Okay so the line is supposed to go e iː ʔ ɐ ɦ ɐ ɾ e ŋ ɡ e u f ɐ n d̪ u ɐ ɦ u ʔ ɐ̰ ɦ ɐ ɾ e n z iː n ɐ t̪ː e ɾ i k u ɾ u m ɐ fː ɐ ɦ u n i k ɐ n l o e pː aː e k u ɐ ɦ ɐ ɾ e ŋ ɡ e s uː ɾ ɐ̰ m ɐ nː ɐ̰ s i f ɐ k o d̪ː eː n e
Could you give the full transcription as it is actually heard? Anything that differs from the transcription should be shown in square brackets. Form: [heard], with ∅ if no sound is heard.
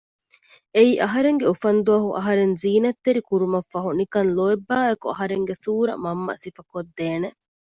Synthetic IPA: e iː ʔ ɐ ɦ ɐ ɾ e ŋ ɡ e u f ɐ n d̪ u ɐ ɦ u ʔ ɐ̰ ɦ ɐ ɾ e n z iː n ɐ t̪ː e ɾ i k u ɾ u m ɐ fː ɐ ɦ u n i k ɐ n l o e [bː] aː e k u ɐ ɦ ɐ ɾ e ŋ ɡ e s uː ɾ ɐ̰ m ɐ [mː] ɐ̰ s i f ɐ k o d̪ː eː n e